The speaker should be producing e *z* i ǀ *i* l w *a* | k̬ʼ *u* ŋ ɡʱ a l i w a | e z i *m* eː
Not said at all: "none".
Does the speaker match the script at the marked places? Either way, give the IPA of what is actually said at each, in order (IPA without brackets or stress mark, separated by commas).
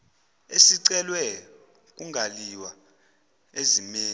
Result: s, ɛ, ɛ, u, m